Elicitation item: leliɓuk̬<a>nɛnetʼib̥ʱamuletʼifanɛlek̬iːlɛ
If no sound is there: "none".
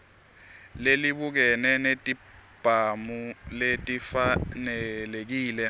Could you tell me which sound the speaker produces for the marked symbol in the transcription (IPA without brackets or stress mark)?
ɛ